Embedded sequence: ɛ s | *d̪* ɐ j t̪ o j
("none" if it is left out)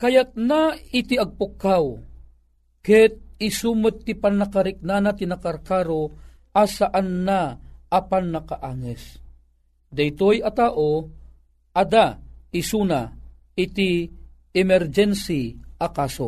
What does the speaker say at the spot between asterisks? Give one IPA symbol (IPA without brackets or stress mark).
d̪